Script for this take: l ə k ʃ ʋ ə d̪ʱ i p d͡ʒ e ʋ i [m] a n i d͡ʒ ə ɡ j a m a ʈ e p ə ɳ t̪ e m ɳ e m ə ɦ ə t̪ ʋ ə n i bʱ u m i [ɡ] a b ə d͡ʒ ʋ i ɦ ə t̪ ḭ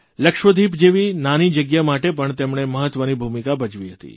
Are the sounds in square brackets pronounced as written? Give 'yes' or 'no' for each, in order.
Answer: no, no

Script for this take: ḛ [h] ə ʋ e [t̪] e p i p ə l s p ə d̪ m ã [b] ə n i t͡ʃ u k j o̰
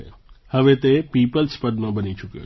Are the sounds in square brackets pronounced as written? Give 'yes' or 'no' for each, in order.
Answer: yes, yes, yes

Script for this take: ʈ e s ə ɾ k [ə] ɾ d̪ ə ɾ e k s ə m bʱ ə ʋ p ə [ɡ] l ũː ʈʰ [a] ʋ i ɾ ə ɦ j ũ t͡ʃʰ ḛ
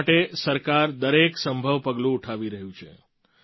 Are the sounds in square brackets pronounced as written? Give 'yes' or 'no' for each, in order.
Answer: no, yes, yes

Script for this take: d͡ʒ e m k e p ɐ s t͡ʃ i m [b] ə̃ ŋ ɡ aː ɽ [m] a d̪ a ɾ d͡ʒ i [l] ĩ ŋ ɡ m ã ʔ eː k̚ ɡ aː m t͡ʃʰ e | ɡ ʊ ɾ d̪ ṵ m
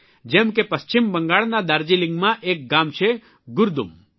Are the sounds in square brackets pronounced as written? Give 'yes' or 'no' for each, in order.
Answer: yes, no, yes

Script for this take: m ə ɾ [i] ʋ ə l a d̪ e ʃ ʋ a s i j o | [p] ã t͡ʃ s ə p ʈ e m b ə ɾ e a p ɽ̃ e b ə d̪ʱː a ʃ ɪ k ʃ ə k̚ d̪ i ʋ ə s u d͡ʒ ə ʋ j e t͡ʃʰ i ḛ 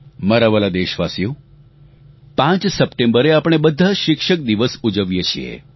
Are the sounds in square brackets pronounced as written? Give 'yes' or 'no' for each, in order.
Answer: no, yes

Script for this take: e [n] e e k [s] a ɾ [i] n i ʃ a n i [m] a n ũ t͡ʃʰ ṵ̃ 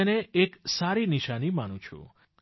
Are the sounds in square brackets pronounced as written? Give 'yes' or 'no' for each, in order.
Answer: yes, yes, yes, yes

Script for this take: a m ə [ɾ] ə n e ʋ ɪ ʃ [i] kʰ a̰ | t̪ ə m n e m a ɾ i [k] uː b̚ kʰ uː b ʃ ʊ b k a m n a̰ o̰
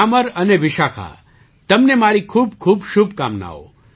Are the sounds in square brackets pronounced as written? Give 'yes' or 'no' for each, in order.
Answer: yes, no, no

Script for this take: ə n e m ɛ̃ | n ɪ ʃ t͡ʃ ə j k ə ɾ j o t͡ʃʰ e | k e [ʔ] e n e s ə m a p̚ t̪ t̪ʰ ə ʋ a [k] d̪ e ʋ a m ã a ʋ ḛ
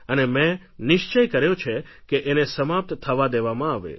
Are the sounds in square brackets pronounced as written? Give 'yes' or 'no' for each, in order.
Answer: yes, no

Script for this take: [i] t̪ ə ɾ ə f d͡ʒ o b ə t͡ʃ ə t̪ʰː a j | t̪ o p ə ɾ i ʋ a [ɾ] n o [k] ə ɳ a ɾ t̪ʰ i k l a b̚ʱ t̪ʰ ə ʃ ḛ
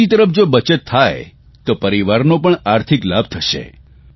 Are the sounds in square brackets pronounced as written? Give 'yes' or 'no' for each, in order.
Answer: yes, yes, no

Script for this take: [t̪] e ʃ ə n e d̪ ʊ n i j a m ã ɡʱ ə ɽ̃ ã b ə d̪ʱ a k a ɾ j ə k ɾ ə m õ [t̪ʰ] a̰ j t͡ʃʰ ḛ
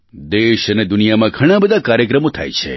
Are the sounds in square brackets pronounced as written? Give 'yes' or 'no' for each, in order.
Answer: no, yes

